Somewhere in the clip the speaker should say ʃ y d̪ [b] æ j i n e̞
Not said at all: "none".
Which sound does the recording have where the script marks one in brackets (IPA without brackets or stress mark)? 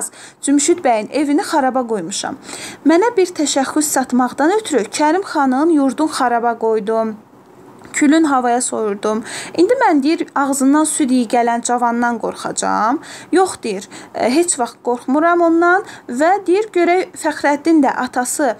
b